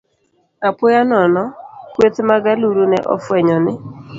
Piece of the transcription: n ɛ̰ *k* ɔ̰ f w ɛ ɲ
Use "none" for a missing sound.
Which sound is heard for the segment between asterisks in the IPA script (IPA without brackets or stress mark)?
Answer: ʔ